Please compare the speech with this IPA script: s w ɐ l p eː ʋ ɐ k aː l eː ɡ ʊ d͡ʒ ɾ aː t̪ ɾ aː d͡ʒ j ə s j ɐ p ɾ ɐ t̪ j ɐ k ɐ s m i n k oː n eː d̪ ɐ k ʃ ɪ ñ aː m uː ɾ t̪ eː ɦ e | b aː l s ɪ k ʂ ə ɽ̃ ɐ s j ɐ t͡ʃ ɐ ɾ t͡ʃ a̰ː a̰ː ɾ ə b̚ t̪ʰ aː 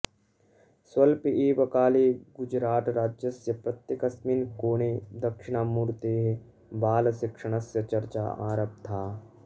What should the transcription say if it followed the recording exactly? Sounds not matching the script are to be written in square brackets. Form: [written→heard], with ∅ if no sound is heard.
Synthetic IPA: s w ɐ l p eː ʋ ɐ k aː l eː ɡ ʊ d͡ʒ ɾ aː t̪ ɾ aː d͡ʒ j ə s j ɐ p ɾ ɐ t̪ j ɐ k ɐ s m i n k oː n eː d̪ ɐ k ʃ ɪ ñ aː m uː ɾ t̪ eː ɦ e | b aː l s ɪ k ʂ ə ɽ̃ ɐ s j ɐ t͡ʃ ɐ ɾ t͡ʃ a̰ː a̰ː ɾ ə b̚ t̪ʰ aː